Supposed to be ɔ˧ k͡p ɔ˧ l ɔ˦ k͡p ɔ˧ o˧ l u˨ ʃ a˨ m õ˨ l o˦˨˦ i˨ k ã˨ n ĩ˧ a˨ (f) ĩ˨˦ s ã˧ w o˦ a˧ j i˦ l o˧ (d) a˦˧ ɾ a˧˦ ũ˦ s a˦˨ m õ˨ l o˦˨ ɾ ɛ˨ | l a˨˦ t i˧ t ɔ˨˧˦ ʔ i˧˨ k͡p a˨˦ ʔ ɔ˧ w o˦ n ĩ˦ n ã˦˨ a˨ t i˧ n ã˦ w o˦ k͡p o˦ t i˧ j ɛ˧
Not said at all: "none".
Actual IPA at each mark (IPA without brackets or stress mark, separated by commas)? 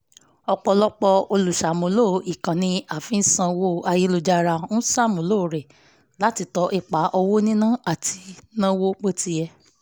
f, d͡ʒ